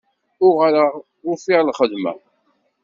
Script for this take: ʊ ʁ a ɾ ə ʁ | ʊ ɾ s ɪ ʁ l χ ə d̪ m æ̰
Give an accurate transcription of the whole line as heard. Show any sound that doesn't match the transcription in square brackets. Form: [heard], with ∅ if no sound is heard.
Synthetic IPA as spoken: ʊ ʁ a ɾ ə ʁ | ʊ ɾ [f] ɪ ʁ l χ ə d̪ m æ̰